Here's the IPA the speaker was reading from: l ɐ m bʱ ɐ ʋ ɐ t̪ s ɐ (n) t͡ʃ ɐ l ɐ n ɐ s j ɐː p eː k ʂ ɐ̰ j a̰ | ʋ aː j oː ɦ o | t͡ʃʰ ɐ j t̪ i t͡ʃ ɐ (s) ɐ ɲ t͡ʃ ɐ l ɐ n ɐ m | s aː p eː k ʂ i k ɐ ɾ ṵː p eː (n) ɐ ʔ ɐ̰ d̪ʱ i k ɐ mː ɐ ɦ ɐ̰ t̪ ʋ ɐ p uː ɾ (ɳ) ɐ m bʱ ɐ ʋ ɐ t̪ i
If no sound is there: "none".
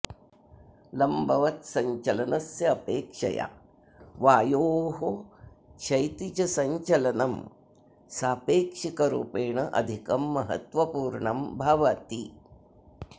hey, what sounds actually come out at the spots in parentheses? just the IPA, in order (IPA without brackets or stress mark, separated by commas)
ɲ, s, ɳ, ɳ